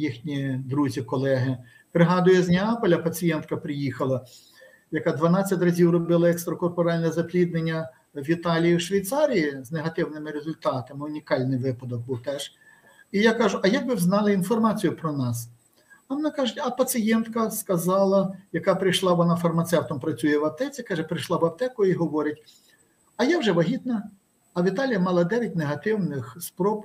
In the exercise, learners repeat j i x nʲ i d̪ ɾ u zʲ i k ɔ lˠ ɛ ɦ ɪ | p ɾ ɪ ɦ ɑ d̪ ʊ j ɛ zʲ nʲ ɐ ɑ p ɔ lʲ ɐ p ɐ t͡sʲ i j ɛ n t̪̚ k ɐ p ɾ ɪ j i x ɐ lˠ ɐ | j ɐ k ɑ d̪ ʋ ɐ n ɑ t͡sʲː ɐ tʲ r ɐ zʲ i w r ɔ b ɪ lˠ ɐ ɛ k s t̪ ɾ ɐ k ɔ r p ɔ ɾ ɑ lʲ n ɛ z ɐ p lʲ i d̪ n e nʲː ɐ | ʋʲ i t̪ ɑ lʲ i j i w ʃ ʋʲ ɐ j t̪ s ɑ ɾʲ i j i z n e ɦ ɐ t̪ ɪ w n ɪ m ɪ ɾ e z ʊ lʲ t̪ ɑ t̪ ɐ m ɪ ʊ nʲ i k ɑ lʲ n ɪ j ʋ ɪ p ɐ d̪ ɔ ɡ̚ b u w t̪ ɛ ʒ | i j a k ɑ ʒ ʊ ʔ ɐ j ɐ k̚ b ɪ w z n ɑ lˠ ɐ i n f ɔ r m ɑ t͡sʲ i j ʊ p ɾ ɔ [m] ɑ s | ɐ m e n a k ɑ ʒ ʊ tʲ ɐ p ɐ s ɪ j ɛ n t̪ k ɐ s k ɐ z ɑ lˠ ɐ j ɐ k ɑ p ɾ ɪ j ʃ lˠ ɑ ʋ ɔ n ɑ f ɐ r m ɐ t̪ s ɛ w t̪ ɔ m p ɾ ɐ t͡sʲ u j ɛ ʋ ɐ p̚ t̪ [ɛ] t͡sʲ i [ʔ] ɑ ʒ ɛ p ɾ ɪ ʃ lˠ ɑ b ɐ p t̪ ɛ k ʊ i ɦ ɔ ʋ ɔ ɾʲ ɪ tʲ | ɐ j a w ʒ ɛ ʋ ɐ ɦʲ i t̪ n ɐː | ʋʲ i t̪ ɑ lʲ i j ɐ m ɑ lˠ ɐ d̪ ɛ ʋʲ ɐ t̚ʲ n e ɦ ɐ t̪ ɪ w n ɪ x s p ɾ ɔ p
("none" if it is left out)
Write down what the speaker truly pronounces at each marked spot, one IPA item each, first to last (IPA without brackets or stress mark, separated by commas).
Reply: n, ɛ, k